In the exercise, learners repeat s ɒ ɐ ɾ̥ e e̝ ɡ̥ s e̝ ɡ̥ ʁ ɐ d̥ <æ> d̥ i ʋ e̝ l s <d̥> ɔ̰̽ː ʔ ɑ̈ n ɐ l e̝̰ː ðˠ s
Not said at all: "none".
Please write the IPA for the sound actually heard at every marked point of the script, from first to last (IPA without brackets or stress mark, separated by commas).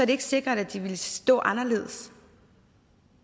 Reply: æ, d̥